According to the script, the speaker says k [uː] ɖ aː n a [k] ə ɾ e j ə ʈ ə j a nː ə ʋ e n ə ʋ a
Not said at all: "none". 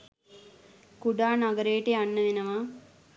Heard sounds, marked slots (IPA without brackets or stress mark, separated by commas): u, ɡ